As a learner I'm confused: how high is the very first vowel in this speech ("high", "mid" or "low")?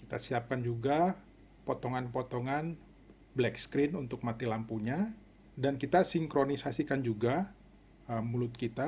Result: high